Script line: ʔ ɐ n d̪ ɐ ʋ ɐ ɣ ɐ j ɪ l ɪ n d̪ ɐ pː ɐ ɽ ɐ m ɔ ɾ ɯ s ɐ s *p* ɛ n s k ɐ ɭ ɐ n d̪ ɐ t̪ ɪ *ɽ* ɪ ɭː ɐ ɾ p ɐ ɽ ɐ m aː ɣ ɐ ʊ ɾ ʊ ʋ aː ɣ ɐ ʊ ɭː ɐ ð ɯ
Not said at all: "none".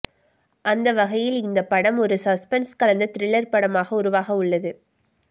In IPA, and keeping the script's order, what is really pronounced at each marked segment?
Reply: p, ɾ

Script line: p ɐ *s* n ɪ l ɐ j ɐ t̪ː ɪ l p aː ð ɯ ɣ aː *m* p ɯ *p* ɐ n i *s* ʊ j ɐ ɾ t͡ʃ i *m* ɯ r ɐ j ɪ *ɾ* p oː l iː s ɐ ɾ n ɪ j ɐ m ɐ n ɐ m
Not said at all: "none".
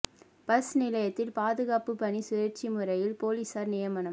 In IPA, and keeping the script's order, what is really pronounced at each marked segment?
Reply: s, none, p, s, m, l

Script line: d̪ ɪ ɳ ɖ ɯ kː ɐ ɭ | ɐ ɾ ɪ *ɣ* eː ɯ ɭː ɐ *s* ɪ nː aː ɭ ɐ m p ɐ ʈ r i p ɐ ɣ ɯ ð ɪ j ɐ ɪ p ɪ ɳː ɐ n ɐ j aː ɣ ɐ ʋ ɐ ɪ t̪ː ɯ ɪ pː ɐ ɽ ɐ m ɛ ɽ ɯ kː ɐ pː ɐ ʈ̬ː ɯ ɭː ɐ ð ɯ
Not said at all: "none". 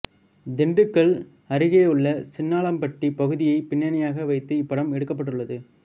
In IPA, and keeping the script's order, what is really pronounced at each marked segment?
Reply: ɣ, s

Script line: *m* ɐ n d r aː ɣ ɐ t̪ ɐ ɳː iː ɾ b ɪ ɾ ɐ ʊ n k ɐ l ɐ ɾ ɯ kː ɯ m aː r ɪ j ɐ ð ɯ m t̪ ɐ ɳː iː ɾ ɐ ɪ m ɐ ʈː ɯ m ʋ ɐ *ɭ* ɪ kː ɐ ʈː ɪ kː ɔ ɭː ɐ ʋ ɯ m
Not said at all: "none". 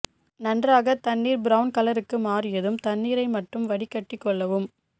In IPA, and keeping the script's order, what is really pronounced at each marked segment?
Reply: n, ɽ

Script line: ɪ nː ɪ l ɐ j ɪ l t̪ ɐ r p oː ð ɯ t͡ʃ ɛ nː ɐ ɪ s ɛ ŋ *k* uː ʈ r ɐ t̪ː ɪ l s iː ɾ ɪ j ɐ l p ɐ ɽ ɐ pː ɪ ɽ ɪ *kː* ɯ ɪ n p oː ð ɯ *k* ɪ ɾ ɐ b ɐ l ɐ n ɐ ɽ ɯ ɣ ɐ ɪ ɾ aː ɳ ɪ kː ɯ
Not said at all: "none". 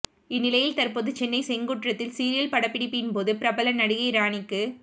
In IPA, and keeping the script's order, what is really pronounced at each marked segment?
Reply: ɡ, pː, p

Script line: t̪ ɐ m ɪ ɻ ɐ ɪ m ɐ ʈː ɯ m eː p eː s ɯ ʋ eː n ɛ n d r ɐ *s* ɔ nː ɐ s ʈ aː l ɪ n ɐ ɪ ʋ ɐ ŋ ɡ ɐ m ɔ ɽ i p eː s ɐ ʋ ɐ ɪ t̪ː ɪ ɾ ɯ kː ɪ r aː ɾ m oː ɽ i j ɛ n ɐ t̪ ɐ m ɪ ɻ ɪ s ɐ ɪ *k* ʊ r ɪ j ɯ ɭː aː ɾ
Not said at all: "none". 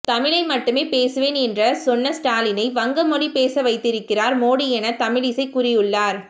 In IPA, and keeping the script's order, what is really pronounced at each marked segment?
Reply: s, k

